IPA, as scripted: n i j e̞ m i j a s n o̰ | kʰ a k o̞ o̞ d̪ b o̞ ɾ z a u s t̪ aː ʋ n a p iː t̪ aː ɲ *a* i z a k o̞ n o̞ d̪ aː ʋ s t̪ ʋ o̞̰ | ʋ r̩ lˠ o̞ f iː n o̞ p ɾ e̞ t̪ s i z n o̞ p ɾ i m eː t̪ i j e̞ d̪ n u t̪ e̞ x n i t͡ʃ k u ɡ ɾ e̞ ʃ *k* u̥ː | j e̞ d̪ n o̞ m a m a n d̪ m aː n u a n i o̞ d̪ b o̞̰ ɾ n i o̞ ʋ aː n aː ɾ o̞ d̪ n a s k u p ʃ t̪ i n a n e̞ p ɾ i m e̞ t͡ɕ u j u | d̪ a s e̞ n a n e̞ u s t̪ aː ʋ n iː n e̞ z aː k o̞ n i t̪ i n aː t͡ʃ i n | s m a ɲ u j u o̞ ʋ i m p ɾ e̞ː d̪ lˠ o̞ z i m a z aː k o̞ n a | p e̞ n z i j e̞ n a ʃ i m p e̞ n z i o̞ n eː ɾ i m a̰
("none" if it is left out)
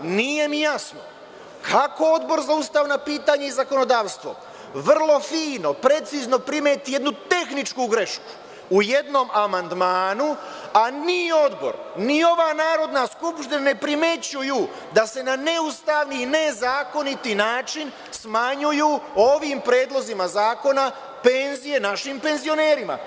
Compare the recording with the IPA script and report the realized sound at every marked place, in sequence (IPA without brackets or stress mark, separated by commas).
e, k